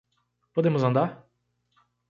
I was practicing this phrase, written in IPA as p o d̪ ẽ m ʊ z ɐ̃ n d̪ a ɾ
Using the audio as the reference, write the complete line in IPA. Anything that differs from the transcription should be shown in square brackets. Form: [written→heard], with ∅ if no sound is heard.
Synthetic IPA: p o d̪ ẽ m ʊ z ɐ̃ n d̪ a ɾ